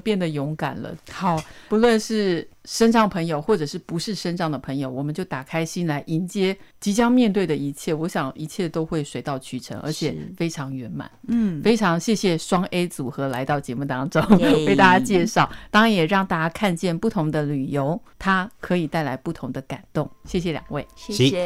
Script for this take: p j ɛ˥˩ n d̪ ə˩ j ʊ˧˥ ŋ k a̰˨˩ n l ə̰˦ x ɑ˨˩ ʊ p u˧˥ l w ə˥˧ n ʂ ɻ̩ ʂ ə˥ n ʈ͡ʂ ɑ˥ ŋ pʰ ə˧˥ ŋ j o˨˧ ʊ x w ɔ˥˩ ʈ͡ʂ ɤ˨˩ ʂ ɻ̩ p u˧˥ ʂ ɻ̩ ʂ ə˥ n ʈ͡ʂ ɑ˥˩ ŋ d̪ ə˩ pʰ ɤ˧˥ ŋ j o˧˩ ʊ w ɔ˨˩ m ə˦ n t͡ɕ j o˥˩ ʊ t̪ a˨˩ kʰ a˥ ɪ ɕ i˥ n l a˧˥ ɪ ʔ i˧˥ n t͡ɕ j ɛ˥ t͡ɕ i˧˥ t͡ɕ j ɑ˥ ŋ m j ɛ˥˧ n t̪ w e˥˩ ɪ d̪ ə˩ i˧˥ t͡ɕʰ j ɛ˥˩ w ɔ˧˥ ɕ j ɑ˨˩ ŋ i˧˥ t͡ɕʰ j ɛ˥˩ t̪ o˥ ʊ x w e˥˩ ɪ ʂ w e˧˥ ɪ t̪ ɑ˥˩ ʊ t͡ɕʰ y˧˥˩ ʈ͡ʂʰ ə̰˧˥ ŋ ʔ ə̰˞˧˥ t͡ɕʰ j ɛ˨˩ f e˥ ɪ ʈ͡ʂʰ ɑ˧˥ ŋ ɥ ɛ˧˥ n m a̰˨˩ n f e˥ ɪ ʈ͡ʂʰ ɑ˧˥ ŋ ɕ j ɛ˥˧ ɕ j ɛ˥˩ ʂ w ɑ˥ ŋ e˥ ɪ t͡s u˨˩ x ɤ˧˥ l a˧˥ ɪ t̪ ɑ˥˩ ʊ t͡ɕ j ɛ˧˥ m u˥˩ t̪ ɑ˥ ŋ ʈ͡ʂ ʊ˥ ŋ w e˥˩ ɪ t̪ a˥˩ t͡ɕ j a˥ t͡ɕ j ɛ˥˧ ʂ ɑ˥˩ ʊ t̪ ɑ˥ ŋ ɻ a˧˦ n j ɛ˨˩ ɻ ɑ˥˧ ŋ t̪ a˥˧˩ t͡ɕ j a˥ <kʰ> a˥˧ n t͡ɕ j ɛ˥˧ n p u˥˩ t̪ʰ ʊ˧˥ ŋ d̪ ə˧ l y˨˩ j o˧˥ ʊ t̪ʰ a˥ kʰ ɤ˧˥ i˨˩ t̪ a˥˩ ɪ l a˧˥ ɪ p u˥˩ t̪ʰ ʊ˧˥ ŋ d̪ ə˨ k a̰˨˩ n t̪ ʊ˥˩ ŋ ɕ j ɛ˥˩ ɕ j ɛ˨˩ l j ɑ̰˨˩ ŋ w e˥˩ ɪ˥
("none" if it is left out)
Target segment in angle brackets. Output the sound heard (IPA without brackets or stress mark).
kʰ